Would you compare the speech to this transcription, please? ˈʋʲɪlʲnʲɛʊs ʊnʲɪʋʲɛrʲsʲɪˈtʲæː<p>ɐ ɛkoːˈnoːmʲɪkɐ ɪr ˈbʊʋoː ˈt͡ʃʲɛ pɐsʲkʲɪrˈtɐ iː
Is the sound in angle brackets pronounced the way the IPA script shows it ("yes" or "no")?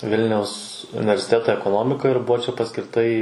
no